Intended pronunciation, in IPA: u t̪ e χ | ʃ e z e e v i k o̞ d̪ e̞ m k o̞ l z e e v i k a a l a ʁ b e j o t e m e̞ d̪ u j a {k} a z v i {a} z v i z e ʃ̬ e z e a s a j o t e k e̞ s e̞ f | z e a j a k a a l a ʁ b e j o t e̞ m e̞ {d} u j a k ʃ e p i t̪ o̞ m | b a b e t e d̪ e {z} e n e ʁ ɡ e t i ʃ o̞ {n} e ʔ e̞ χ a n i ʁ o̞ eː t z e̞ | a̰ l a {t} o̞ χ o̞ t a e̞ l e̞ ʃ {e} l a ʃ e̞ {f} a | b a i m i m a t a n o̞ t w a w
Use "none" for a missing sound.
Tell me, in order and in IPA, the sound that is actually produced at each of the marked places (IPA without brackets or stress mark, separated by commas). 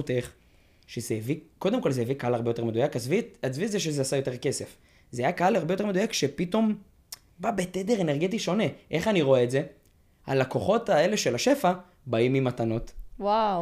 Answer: k, a, d, ʁ, n, k, e, f